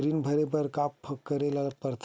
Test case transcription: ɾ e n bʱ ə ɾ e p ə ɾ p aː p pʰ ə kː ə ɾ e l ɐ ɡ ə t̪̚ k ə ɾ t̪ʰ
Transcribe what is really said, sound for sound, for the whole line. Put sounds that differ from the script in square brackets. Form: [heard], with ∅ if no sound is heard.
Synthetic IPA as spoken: ɾ [i] n bʱ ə ɾ e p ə ɾ [k] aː p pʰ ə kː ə ɾ e l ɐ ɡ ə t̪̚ [p] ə ɾ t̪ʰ